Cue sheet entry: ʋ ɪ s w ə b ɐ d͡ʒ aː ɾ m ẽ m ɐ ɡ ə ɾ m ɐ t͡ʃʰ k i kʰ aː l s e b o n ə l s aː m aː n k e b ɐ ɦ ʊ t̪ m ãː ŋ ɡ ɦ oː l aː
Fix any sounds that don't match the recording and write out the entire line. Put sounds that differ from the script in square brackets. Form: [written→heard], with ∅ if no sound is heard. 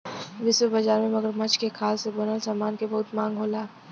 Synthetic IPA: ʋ ɪ s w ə b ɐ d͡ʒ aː ɾ m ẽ m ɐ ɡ ə ɾ m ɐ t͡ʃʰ k [i→e] kʰ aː l s e b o n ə l s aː m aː n k e b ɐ ɦ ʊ t̪ m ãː ŋ ɡ ɦ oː l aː